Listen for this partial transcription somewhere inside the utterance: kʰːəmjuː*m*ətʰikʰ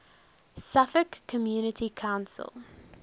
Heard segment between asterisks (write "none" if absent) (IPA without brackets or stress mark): n